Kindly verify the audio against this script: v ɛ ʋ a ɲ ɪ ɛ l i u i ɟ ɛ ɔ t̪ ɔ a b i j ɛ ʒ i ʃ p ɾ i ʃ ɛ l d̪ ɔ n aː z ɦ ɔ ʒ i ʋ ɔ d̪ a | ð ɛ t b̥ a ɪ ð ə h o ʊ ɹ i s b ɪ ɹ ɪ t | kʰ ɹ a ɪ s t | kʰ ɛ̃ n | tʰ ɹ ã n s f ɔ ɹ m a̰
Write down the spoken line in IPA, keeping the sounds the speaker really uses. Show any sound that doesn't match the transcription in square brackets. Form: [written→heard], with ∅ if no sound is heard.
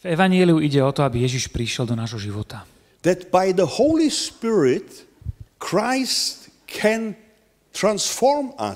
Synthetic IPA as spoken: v ɛ ʋ a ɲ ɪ ɛ l i u i ɟ ɛ ɔ t̪ ɔ a b i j ɛ ʒ i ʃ p ɾ i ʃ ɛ l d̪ ɔ n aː [z→ʒ] ɦ ɔ ʒ i ʋ ɔ [d̪→t̪] a | ð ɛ t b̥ a ɪ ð ə h o ʊ [ɹ→l] i s [b→p] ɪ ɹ ɪ t | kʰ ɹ a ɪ s t | kʰ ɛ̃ n | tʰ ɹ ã n s f ɔ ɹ m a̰